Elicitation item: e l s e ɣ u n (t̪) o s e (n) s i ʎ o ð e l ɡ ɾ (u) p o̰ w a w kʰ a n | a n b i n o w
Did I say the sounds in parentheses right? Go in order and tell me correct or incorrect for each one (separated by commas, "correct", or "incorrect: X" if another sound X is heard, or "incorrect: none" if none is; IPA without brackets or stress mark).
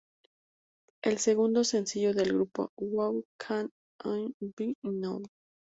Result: incorrect: d̪, correct, correct